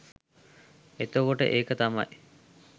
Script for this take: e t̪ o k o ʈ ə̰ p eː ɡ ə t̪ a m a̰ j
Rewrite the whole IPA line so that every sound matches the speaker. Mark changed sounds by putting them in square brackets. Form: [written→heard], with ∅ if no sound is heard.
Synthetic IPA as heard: e t̪ o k o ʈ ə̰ [p→ʔ] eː [ɡ→k] ə t̪ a m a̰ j